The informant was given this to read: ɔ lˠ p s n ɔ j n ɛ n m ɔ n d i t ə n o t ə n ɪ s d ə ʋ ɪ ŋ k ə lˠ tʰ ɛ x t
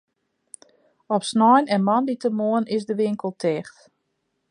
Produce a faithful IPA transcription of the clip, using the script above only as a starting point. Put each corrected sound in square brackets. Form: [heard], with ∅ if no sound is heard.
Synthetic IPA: ɔ [∅] p s n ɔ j n ɛ n m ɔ n d i t ə [m] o [∅] ə n ɪ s d ə ʋ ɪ ŋ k ə lˠ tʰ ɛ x t